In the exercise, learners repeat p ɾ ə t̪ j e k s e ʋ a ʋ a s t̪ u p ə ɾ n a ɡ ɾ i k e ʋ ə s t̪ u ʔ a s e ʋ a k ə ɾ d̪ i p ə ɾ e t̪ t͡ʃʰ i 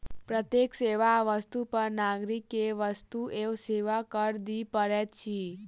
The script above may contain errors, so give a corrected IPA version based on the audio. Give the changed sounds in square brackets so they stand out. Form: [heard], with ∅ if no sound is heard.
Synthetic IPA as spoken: p ɾ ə t̪ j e k s e ʋ a ʋ [ə] s t̪ u p ə ɾ n a ɡ ɾ i k e ʋ ə s t̪ u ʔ [e] s e ʋ a k ə ɾ d̪ i p ə ɾ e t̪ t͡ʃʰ i